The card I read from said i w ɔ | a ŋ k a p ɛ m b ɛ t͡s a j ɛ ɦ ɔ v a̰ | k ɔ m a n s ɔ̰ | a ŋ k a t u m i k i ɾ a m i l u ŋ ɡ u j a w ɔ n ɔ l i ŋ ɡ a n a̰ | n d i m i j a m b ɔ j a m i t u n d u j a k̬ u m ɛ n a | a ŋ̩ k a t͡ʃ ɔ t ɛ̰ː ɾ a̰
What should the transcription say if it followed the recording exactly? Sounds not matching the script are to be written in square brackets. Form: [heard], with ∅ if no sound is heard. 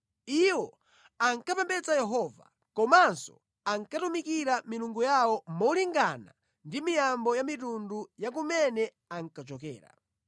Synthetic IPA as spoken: i w ɔ | a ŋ k a p ɛ m b ɛ t͡s a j ɛ ɦ ɔ v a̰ | k ɔ m a n s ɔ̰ | a ŋ k a t u m i k i ɾ a m i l u ŋ ɡ u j a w ɔ [m] ɔ l i ŋ ɡ a n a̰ | n d i m i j a m b ɔ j a m i t u n d u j a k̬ u m ɛ n [ɛ] | a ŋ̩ k a t͡ʃ ɔ [k] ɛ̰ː ɾ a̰